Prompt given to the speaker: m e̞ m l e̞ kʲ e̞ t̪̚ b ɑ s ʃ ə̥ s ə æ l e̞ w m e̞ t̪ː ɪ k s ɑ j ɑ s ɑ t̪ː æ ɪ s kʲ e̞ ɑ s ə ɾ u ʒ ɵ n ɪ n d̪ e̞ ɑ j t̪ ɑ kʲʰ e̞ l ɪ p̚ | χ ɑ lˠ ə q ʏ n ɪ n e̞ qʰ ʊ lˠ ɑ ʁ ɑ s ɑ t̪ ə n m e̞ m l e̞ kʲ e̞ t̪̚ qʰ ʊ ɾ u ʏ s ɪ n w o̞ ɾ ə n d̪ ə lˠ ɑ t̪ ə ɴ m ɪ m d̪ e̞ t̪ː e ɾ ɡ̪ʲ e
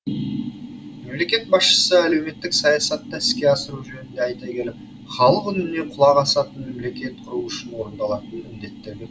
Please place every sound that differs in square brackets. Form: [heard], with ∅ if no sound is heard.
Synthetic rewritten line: m e̞ m l e̞ kʲ e̞ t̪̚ b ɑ s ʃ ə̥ s ə æ l e̞ w m e̞ t̪ː ɪ k s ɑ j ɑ s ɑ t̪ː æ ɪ s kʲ e̞ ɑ s ə ɾ u ʒ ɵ n ɪ n d̪ e̞ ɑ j t̪ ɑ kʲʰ e̞ l ɪ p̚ | χ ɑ lˠ ə q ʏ n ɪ n e̞ qʰ ʊ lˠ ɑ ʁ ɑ s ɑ t̪ ə n m e̞ m l e̞ kʲ e̞ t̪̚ qʰ ʊ ɾ u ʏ [ʃ] ɪ n w o̞ ɾ ə n d̪ [ɑ] lˠ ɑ t̪ ə [n] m ɪ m d̪ e̞ t̪ː e ɾ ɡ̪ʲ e